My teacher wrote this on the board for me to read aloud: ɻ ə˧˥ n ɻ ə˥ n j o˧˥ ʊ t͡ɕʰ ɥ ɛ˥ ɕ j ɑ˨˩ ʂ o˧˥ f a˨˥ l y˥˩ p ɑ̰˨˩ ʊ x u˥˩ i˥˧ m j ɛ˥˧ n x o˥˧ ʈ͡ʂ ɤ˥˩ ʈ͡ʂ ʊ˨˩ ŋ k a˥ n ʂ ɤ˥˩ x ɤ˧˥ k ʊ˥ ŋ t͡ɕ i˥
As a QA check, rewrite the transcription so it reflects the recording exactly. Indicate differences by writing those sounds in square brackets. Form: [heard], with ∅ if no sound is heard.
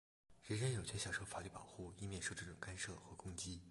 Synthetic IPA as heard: ɻ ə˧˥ n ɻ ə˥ n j [o˨˩] ʊ t͡ɕʰ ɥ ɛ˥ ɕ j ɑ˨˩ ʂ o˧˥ f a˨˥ l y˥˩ p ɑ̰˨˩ ʊ x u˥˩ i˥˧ m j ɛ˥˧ n [ʂ] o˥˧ ʈ͡ʂ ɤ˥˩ ʈ͡ʂ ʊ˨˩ ŋ k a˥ n ʂ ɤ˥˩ x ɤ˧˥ k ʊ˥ ŋ t͡ɕ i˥